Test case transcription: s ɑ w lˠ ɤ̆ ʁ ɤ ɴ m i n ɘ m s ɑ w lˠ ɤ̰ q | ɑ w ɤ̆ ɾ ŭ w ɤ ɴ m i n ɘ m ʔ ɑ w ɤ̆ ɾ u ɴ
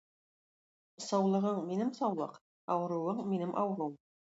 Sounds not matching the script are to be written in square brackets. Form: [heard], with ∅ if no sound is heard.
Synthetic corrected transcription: s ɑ w lˠ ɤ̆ ʁ ɤ ɴ m i n ɘ m s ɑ w lˠ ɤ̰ q | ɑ w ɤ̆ ɾ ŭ w ɤ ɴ m i n ɘ m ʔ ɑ w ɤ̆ ɾ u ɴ